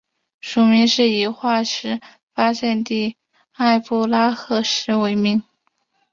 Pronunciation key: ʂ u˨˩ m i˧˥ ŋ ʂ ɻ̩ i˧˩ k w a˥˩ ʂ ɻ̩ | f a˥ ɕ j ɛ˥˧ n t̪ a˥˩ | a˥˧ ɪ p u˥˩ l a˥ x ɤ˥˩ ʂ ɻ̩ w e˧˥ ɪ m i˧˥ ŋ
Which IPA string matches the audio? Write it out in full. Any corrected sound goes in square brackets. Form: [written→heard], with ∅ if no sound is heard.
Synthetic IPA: ʂ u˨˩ m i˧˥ ŋ ʂ ɻ̩ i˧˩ [k→x] w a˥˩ ʂ ɻ̩ | f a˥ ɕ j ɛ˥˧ n t̪ [a˥˩→i˥˩] | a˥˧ ɪ p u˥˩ l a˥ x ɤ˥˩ ʂ ɻ̩ w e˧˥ ɪ m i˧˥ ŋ